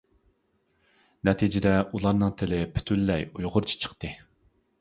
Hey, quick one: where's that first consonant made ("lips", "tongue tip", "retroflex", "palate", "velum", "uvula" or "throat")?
tongue tip